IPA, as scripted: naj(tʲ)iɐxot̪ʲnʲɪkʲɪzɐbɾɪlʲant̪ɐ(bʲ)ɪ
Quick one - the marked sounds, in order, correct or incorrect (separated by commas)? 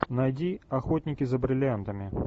incorrect, incorrect